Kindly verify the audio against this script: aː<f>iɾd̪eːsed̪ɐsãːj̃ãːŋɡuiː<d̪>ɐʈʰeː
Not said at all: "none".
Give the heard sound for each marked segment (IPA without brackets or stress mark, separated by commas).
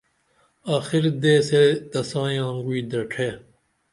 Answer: x, d̪